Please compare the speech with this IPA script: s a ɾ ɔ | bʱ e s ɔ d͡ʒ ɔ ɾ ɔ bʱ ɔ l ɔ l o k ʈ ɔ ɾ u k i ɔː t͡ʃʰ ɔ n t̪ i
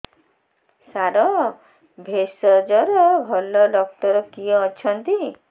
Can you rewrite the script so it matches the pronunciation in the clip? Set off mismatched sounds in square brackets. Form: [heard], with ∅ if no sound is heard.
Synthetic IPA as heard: s a ɾ ɔ | bʱ e s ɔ d͡ʒ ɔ ɾ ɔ bʱ ɔ l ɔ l [ɔ] k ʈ ɔ ɾ [ɔ] k i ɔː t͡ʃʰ ɔ n t̪ i